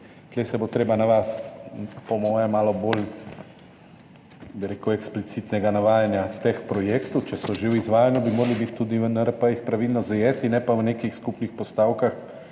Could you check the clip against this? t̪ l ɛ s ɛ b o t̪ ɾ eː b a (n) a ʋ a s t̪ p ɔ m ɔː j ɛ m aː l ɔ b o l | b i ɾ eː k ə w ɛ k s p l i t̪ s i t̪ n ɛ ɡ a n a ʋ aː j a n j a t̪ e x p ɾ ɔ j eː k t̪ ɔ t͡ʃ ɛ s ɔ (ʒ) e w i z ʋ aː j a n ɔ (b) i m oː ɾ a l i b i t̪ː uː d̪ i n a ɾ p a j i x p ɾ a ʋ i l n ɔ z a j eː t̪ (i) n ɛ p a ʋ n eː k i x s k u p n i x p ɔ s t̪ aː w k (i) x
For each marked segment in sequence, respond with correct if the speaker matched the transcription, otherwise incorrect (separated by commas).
correct, correct, correct, correct, incorrect